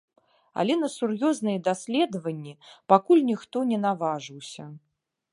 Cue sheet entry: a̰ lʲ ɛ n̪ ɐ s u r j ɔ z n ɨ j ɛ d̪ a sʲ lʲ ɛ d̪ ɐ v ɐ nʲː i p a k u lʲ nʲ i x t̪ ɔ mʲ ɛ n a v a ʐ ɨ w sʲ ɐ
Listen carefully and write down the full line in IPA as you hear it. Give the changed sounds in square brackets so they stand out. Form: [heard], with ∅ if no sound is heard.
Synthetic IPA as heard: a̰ lʲ ɛ n̪ ɐ s u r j ɔ z n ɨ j ɛ d̪ a sʲ lʲ ɛ d̪ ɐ v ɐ nʲː i p a k u lʲ nʲ i x t̪ ɔ [nʲ] ɛ n a v a ʐ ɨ w sʲ ɐ